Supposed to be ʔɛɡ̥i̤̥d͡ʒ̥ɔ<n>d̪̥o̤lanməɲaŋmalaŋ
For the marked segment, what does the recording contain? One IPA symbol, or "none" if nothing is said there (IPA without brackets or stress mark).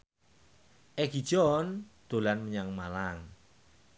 n